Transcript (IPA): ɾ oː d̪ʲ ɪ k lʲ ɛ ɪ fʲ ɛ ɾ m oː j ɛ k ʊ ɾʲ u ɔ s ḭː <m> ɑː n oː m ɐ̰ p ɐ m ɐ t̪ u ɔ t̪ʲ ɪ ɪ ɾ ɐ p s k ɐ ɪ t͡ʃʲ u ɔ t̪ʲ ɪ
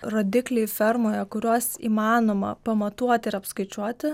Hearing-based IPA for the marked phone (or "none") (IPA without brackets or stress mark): m